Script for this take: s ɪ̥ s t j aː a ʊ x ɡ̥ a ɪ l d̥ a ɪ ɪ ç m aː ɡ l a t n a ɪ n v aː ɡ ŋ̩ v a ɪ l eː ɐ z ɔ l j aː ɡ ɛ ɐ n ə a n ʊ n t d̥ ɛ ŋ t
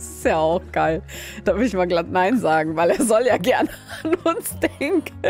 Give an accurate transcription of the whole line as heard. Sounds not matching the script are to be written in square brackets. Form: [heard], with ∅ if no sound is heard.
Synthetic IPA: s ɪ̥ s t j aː a ʊ x ɡ̥ a ɪ l d̥ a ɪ ɪ ç m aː ɡ l a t n a ɪ n [z] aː ɡ ŋ̩ v a ɪ l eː ɐ z ɔ l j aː ɡ ɛ ɐ n ə a n ʊ n [s] d̥ ɛ ŋ [k]